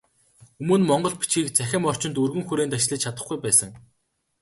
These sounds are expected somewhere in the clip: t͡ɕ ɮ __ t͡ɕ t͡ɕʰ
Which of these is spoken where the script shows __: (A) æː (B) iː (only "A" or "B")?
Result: B